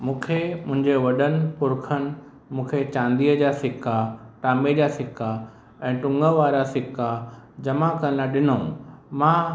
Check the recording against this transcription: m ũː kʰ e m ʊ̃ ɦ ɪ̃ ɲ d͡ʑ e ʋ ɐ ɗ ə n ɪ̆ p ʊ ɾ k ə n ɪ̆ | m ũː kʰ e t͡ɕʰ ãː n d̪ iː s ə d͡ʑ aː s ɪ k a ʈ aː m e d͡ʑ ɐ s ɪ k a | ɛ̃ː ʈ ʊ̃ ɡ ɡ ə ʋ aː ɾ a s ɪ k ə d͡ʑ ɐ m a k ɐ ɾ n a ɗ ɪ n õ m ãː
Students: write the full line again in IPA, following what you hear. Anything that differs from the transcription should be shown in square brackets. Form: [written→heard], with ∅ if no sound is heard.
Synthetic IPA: m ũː kʰ e m ʊ̃ ɦ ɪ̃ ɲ d͡ʑ e ʋ ɐ ɗ ə n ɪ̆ p ʊ ɾ [k→kʰ] ə n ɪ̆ | m ũː kʰ e [t͡ɕʰ→t͡ɕ] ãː n d̪ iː [s→∅] ə d͡ʑ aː s ɪ k a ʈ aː m e d͡ʑ [ɐ→a] s ɪ k a | ɛ̃ː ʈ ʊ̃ [ɡ→ŋ] ɡ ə ʋ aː ɾ a s ɪ k [ə→a] d͡ʑ ɐ m a k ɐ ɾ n a ɗ ɪ n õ m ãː